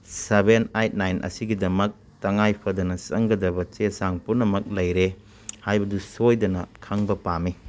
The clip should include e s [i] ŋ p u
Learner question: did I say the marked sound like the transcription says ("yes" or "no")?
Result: no